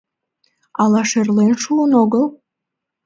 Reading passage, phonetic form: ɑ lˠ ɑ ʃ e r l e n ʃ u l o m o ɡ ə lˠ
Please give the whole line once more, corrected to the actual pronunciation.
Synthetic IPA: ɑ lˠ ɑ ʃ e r l e n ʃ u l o n o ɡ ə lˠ